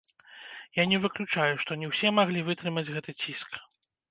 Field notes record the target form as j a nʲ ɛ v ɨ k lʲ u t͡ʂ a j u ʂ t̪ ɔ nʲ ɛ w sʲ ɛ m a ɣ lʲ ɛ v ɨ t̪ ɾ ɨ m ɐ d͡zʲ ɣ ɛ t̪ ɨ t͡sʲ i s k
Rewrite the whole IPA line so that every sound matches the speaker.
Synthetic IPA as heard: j a nʲ ɛ v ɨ k lʲ u t͡ʂ a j u ʂ t̪ ɔ nʲ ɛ w sʲ ɛ m a ɣ lʲ i v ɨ t̪ ɾ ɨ m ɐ d͡zʲ ɣ ɛ t̪ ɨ t͡sʲ i s k